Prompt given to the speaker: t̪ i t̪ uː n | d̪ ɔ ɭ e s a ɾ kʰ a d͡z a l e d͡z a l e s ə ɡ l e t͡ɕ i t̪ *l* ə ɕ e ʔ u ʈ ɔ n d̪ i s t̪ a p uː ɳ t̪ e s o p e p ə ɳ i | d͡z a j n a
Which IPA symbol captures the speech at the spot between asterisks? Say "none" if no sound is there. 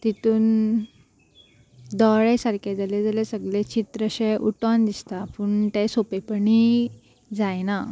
ɾ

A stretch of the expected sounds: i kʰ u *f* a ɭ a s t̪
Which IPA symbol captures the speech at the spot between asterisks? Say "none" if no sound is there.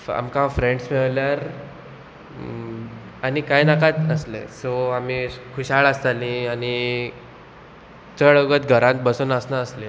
ɕ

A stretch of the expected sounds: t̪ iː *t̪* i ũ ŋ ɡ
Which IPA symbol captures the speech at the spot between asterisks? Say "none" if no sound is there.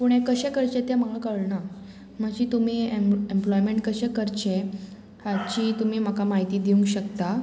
d̪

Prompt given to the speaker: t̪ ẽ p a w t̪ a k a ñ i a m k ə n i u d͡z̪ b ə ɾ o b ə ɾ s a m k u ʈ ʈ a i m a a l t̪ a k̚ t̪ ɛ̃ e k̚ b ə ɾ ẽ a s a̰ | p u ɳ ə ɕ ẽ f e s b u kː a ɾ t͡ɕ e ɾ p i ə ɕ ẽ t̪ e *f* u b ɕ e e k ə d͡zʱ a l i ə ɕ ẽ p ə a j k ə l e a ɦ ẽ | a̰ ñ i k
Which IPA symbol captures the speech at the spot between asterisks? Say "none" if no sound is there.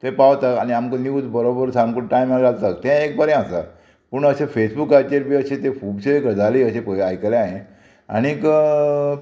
f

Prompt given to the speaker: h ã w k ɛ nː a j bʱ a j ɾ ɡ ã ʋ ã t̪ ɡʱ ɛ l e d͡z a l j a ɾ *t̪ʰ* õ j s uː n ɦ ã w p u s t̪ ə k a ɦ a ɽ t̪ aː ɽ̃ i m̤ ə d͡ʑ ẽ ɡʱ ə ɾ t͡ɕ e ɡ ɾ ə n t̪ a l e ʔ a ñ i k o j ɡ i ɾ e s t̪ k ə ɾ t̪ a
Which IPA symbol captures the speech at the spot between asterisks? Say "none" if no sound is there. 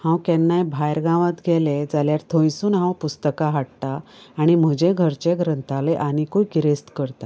t̪ʰ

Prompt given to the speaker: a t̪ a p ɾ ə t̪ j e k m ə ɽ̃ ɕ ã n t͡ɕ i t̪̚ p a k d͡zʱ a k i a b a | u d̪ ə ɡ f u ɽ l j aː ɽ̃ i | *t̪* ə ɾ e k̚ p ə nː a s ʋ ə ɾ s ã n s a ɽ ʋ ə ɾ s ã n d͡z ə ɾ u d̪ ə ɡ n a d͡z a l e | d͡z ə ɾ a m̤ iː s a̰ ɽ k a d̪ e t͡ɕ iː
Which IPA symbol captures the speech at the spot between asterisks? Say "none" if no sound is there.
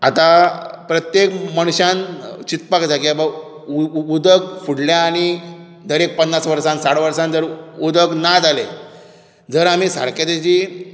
d̪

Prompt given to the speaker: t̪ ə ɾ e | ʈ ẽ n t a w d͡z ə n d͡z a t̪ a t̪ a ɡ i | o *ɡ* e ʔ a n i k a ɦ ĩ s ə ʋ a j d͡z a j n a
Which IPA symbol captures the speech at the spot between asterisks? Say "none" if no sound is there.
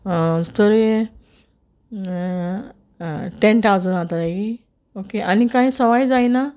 k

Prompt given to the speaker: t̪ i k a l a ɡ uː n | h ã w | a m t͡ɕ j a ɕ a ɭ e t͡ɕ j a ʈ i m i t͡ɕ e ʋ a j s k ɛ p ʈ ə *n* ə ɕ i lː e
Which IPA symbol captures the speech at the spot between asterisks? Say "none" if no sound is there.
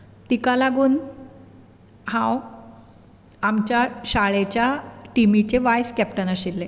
n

